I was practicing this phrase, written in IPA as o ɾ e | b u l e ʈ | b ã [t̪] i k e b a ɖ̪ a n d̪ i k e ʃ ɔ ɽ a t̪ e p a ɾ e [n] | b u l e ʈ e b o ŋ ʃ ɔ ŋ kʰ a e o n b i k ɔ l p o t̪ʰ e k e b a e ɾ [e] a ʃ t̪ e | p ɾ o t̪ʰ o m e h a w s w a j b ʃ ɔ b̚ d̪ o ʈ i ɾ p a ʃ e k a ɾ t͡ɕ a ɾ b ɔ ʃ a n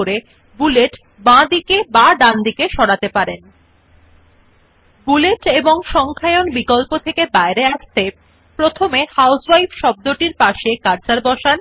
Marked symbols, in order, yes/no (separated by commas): no, yes, yes